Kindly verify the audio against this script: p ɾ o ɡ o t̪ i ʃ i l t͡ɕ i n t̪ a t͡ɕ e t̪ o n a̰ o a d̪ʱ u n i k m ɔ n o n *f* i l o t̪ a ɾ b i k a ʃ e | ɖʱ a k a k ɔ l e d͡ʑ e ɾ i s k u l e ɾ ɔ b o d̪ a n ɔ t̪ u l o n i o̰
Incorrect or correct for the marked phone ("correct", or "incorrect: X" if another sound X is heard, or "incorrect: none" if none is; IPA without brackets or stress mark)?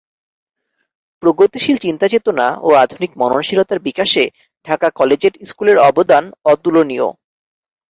incorrect: ʃ